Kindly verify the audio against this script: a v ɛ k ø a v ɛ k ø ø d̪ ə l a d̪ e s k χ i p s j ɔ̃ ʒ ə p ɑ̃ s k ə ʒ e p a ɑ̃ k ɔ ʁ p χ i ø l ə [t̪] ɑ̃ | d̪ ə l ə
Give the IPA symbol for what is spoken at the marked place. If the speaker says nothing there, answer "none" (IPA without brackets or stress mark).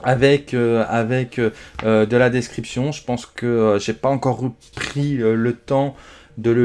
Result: t̪